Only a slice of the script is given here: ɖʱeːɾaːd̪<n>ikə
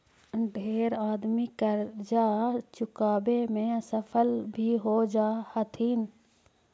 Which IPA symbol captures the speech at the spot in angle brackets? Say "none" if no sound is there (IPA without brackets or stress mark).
m